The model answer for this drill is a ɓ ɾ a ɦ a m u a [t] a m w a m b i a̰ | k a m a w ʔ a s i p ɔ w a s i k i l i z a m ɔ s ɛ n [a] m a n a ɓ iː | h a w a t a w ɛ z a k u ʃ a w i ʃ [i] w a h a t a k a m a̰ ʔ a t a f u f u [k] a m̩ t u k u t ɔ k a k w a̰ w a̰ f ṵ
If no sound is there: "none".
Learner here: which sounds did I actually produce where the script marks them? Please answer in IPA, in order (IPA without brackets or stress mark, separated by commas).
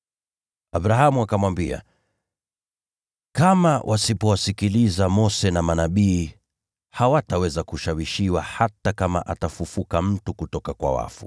k, a, i, k